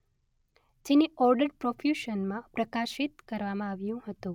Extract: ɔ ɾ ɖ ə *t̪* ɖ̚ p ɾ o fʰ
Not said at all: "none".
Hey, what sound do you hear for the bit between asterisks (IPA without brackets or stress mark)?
none